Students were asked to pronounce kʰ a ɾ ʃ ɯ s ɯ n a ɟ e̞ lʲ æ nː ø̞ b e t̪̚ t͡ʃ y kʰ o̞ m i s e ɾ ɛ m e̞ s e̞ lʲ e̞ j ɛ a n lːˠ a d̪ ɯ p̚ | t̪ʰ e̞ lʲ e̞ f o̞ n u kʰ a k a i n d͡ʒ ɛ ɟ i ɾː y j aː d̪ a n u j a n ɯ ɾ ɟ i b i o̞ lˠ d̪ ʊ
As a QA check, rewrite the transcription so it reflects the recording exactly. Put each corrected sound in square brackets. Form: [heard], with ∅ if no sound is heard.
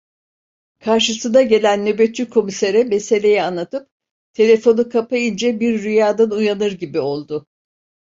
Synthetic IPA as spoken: kʰ a ɾ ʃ ɯ s ɯ n a ɟ e̞ lʲ æ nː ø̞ b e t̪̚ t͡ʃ y kʰ o̞ m i s e ɾ ɛ m e̞ s e̞ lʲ e̞ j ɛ a n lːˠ a [t̪] ɯ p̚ | t̪ʰ e̞ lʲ e̞ f o̞ n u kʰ a [p] a i n d͡ʒ ɛ [b] i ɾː y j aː d̪ a n u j a n ɯ ɾ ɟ i b i o̞ lˠ d̪ ʊ